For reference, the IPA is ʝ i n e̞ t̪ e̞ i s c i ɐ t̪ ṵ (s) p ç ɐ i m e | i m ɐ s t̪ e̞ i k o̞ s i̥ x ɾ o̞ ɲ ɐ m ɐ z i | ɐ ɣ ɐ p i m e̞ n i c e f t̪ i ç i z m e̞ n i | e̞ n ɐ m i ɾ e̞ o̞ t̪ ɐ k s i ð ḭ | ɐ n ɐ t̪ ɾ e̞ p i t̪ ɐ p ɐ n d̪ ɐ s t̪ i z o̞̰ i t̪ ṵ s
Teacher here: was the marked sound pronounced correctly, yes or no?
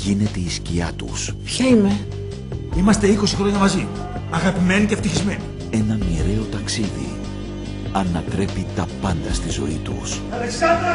yes